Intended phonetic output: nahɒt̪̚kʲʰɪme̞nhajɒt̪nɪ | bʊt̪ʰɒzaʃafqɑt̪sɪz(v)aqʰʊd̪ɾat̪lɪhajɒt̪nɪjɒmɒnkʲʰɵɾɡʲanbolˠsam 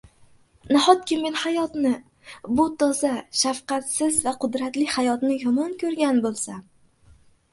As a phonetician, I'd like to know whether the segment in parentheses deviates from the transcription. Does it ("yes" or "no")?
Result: no